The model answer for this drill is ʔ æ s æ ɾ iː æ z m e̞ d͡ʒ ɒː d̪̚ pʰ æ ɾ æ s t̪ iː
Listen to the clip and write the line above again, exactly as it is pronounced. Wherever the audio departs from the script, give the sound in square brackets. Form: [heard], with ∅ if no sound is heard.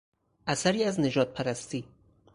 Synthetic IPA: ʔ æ s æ ɾ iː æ z [n] e̞ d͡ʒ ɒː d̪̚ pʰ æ ɾ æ s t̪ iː